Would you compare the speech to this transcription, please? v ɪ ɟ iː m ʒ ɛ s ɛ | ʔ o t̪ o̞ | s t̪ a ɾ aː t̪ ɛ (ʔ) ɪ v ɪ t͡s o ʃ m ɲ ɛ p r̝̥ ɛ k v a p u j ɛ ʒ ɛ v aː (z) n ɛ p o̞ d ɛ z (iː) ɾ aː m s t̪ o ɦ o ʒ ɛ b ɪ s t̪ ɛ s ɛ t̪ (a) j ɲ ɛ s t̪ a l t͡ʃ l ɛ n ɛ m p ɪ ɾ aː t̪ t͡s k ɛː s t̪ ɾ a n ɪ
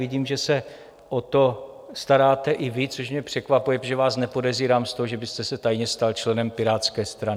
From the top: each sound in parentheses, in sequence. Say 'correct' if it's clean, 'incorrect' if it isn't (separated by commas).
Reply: correct, incorrect, correct, correct